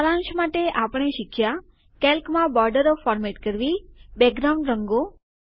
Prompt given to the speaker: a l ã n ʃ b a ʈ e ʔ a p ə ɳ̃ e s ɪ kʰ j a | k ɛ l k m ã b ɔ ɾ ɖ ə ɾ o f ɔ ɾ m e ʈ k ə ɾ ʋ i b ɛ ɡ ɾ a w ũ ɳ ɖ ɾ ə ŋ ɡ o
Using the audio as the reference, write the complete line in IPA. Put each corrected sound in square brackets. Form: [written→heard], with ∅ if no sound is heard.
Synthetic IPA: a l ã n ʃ [b→m] a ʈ e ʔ a p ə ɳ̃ e [s→ʃ] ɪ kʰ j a | k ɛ l k m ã b ɔ ɾ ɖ ə ɾ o f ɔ ɾ m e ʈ k ə ɾ ʋ i b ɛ ɡ ɾ a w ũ ɳ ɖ ɾ ə ŋ ɡ o